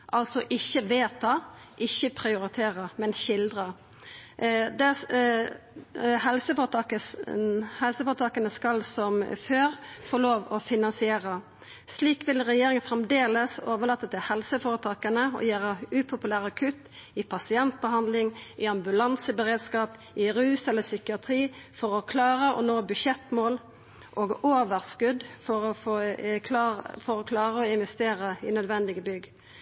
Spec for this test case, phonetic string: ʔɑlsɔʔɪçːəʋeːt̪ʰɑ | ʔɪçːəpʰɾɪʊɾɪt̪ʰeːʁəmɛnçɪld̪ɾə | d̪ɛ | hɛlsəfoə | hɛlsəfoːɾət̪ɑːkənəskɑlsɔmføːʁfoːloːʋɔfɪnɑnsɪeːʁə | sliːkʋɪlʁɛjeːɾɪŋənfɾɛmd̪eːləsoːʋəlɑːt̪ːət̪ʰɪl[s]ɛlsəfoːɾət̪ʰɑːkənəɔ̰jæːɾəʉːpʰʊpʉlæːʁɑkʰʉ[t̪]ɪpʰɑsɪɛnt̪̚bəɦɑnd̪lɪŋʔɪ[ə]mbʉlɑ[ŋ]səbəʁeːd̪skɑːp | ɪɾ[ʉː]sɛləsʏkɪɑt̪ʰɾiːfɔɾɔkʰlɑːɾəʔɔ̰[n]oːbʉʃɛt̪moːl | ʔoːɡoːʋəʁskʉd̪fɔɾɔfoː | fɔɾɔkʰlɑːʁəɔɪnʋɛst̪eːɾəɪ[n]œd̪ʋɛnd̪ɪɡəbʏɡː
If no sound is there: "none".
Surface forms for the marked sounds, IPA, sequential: h, t̪, ɑ, n, ʉː, n, n

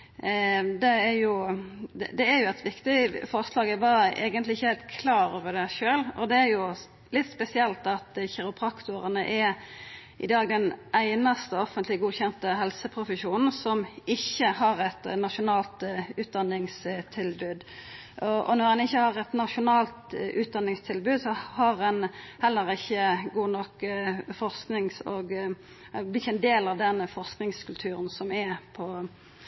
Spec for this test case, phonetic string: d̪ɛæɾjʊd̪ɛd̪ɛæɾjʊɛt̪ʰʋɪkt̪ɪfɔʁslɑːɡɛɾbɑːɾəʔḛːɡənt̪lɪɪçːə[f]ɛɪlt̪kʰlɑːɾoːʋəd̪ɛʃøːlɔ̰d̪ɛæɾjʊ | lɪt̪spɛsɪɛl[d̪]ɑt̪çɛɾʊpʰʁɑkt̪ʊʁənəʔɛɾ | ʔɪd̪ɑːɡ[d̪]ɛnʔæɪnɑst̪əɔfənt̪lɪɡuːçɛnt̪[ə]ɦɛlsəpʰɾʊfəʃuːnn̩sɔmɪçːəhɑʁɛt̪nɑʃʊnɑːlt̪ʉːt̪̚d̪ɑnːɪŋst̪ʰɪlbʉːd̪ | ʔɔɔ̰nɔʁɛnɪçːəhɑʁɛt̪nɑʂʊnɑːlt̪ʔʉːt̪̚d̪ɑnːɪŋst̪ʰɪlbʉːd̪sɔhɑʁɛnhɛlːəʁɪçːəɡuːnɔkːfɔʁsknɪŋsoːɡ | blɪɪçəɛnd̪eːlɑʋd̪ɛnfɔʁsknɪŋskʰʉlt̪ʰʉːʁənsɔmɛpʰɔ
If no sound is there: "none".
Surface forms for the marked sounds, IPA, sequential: h, t̪, d̪, ə

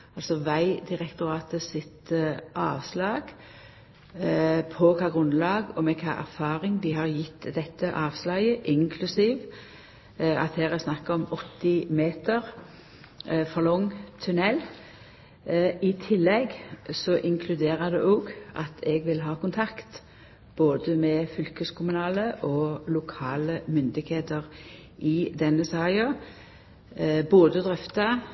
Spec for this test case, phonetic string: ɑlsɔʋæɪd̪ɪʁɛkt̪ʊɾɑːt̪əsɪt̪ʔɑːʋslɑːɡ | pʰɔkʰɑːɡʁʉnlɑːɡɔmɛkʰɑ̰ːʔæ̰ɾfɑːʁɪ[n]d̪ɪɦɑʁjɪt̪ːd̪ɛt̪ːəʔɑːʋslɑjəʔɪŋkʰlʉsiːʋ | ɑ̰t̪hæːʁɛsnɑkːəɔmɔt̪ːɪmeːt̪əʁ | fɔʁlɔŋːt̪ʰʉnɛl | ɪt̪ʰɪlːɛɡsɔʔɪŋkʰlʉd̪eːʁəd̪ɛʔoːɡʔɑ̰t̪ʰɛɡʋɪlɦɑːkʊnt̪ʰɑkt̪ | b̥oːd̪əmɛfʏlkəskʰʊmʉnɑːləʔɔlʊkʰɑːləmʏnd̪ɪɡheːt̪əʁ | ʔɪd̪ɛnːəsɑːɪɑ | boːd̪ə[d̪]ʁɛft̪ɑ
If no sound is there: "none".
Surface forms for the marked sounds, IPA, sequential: ŋ, d̪

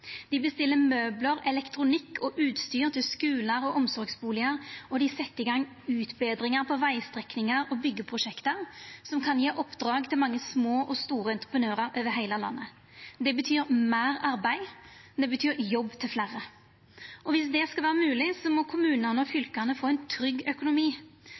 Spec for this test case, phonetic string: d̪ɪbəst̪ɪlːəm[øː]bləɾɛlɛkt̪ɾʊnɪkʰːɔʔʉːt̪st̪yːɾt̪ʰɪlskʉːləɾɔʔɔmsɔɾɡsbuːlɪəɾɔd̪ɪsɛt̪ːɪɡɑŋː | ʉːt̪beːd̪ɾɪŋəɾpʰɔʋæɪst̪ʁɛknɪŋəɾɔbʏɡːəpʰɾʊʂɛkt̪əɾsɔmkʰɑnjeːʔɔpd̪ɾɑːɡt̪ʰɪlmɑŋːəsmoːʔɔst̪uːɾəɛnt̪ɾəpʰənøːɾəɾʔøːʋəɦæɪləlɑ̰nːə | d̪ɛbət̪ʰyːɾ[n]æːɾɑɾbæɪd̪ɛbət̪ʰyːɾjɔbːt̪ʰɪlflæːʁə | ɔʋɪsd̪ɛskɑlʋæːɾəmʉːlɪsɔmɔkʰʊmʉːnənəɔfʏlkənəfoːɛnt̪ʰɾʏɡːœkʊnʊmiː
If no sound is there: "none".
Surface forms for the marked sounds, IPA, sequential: øː, m

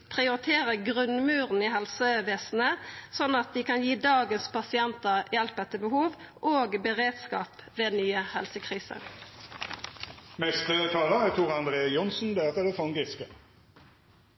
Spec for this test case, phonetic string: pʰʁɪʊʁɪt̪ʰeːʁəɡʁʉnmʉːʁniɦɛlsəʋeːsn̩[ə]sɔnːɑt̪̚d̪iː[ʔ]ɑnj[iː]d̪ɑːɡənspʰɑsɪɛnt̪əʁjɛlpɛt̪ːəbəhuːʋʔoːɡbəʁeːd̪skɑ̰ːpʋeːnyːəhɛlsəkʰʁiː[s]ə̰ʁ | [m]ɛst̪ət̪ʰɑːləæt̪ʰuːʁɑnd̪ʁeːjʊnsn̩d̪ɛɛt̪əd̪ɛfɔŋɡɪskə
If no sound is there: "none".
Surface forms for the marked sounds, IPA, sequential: ə, k, iː, s, m

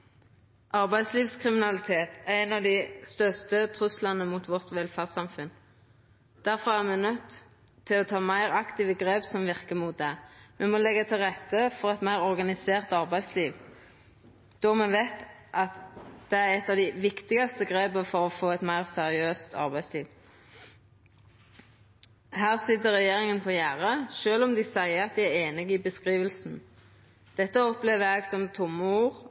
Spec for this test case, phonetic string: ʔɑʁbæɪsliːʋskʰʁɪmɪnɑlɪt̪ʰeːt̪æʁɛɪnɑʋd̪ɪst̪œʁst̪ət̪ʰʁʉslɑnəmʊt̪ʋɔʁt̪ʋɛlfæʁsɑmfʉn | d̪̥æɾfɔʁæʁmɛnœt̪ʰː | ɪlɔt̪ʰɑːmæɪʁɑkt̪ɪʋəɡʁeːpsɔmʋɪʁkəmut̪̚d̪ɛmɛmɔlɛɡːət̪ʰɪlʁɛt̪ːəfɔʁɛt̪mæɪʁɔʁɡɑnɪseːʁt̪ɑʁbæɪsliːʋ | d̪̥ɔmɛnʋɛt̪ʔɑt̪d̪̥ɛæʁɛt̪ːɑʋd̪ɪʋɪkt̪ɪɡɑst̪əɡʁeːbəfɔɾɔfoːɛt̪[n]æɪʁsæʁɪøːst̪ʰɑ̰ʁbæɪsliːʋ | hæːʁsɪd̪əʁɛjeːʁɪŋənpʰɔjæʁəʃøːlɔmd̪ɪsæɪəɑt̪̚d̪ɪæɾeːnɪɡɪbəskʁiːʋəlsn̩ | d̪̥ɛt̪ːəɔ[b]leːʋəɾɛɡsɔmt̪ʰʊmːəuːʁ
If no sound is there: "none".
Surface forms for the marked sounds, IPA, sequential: m, p

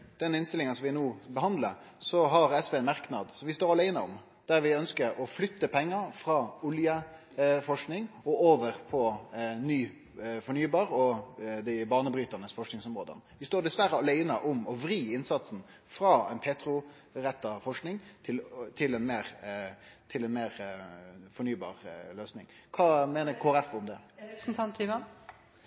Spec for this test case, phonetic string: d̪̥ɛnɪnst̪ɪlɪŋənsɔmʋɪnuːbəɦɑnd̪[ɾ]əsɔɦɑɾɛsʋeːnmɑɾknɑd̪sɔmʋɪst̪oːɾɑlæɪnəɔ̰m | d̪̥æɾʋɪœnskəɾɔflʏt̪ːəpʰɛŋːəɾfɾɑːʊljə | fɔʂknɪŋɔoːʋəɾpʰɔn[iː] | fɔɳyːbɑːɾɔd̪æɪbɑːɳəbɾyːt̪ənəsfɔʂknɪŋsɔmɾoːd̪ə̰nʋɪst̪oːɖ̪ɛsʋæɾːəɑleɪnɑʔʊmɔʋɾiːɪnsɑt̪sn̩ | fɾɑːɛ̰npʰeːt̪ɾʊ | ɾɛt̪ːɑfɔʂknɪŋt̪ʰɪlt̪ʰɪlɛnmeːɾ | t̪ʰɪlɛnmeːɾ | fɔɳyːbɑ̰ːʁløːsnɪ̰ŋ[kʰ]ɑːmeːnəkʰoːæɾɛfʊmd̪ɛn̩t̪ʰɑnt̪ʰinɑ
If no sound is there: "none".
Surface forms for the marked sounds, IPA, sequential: l, yː, kʰ

